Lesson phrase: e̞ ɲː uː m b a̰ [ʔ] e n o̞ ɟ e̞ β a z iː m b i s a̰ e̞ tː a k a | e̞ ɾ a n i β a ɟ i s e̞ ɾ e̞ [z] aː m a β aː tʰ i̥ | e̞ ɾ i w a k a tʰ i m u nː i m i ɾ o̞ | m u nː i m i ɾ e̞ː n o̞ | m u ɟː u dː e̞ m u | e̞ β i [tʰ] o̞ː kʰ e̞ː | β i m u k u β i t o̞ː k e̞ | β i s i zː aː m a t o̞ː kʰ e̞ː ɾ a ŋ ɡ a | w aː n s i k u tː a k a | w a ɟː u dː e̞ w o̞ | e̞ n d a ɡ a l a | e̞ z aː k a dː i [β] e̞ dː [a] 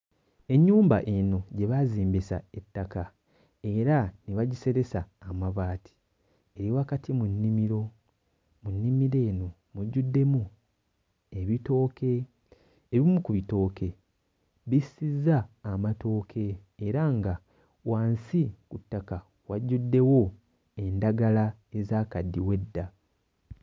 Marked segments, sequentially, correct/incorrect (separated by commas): correct, incorrect, incorrect, incorrect, correct